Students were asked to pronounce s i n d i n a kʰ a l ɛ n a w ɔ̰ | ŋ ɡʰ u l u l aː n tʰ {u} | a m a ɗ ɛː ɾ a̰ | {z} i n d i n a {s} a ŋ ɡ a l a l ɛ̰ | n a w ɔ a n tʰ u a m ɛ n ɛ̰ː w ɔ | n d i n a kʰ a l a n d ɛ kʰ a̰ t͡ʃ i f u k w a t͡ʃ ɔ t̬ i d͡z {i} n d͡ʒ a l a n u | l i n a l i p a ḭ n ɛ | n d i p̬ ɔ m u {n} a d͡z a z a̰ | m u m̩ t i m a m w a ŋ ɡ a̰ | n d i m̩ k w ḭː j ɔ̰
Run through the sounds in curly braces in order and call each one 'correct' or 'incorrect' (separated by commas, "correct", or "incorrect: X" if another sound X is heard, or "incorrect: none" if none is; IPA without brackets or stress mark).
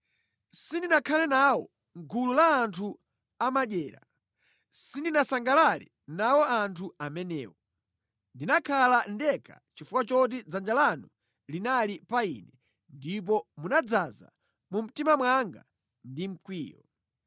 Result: correct, incorrect: s, correct, incorrect: a, correct